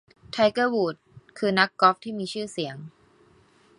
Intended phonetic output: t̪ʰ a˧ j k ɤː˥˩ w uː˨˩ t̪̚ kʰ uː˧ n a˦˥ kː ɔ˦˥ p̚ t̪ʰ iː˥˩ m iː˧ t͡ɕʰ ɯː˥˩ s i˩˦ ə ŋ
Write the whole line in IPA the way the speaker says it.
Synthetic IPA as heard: t̪ʰ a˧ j k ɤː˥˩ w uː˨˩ t̪̚ kʰ ɯː˧ n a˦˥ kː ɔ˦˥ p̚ t̪ʰ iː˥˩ m iː˧ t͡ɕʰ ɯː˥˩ s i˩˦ ə ŋ